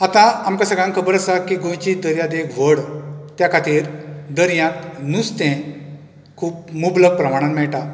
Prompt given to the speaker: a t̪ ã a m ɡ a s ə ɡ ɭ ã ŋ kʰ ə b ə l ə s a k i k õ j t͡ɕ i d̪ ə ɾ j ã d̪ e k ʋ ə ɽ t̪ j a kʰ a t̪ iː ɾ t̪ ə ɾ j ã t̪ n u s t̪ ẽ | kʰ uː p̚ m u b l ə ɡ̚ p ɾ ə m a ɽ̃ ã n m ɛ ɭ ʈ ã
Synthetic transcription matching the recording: a t̪ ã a m k a s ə ɡ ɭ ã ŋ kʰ ə b ə ɾ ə s a k i ɡ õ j t͡ɕ i d̪ ə ɾ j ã d̪ e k ʋ ə ɽ t̪ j a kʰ a t̪ iː ɾ d̪ ə ɾ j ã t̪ n u s t̪ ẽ | kʰ uː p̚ m u b l ə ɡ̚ p ɾ ə m a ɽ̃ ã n m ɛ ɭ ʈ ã